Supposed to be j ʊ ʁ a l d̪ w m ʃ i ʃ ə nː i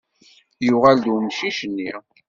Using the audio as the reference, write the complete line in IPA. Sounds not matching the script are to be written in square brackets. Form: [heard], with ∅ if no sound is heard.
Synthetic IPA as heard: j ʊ ʁ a l d̪ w m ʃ i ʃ ə nː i